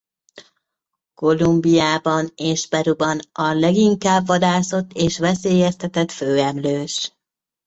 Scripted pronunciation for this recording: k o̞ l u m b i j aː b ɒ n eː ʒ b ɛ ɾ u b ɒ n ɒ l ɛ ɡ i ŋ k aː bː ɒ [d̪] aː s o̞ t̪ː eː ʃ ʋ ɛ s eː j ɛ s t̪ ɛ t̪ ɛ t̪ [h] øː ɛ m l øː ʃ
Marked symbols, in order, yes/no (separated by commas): yes, no